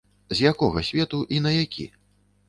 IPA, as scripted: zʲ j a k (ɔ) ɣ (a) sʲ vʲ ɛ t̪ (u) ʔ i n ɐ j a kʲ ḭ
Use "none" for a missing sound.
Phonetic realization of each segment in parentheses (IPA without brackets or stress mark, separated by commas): ɔ, ɐ, u